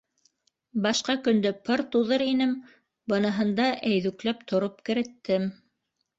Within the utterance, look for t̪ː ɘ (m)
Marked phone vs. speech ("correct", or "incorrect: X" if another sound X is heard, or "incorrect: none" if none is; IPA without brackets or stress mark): correct